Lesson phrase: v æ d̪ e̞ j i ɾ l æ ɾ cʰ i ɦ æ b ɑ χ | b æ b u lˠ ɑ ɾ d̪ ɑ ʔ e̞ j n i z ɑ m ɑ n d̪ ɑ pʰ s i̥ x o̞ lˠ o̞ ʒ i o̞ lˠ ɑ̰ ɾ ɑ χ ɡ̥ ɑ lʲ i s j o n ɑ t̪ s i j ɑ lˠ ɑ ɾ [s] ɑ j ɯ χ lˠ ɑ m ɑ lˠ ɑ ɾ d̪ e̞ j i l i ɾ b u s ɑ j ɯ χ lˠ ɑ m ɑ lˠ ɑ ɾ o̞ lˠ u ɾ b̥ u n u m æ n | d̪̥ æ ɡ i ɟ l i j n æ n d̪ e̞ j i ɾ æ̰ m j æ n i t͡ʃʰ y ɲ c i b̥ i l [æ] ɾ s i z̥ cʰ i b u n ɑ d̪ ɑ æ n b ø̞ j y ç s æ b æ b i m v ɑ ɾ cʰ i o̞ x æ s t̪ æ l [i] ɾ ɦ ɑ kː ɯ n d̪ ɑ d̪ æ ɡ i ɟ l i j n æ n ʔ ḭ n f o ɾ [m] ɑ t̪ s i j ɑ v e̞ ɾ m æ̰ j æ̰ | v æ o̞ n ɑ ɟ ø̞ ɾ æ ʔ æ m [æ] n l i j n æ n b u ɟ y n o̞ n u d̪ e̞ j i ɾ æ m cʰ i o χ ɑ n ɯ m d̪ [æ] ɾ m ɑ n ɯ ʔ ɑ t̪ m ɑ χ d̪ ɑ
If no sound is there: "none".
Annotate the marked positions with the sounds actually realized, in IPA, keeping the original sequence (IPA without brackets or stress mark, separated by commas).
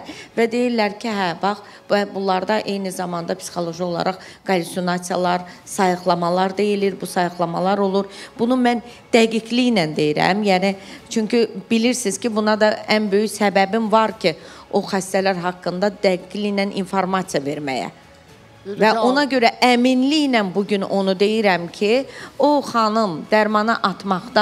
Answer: s, i, æ, m, i, æ